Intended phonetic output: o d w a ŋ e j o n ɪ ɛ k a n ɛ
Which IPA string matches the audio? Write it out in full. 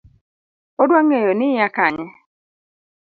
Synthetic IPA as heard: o d w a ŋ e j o n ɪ a k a ɲ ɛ